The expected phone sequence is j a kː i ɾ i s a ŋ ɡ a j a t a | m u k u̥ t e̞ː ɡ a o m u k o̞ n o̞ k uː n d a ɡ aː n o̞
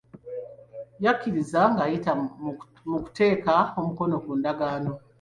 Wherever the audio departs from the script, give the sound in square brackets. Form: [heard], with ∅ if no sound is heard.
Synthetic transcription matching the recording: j a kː i ɾ i [z] a ŋ ɡ a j [i] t a | m u k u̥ t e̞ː [k] a o m u k o̞ n o̞ k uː n d a ɡ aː n o̞